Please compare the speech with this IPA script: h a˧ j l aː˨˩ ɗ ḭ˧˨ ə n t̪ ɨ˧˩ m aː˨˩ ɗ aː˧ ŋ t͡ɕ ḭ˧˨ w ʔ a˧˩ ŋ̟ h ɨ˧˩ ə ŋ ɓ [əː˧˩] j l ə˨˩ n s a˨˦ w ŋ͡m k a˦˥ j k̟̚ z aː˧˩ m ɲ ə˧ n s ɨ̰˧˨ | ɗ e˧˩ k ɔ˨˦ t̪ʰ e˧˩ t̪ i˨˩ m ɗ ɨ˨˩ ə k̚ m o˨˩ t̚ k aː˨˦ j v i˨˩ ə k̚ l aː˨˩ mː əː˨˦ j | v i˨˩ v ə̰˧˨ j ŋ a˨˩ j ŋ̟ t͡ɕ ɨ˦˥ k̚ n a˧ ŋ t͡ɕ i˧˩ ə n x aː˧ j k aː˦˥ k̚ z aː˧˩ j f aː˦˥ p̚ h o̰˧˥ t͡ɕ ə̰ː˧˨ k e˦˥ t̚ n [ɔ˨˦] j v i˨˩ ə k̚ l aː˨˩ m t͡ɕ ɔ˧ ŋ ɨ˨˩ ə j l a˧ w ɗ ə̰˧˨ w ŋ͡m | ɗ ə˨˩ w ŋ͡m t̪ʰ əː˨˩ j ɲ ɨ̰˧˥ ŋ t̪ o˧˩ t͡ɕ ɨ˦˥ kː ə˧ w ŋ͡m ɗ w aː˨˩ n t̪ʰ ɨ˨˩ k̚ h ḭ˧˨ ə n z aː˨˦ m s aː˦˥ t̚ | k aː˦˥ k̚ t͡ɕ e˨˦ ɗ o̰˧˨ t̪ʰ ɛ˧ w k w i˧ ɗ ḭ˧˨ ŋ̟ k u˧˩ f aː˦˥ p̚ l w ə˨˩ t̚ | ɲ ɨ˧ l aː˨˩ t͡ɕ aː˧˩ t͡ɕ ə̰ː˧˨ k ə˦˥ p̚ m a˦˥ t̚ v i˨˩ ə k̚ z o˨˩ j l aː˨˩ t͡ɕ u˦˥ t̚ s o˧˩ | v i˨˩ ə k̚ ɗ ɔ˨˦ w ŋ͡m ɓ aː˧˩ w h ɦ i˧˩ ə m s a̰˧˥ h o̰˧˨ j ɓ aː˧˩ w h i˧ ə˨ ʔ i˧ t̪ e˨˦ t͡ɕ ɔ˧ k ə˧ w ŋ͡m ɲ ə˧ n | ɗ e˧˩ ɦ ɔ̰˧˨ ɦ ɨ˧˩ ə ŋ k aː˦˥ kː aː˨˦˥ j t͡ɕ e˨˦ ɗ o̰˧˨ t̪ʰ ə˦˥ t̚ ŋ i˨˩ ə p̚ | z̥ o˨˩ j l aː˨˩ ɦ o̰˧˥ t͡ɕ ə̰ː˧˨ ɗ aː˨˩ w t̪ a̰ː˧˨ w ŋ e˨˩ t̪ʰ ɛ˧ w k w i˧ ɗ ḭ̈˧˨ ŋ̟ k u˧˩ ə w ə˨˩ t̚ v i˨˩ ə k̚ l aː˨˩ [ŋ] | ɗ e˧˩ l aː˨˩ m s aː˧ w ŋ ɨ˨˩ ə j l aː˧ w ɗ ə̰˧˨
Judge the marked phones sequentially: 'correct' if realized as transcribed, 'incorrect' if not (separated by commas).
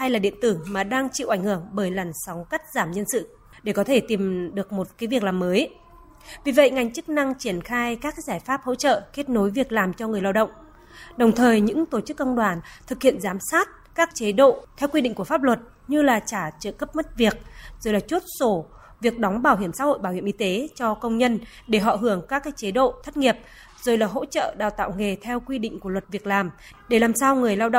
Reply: correct, incorrect, incorrect